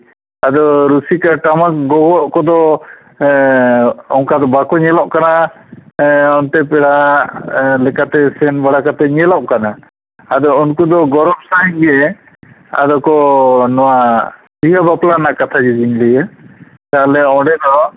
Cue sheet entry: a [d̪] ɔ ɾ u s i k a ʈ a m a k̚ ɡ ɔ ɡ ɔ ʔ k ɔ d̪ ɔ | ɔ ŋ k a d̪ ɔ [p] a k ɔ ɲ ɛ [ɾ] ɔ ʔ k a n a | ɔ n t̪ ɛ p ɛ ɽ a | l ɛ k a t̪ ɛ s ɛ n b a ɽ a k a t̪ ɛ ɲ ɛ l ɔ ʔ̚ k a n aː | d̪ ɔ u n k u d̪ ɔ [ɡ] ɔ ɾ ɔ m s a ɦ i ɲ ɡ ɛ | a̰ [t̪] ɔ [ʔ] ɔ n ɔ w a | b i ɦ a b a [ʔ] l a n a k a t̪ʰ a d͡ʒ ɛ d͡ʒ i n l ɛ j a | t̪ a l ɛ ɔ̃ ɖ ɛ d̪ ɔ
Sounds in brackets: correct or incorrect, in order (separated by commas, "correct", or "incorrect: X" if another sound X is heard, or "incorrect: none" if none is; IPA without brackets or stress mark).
correct, incorrect: b, incorrect: l, correct, incorrect: d̪, incorrect: k, incorrect: p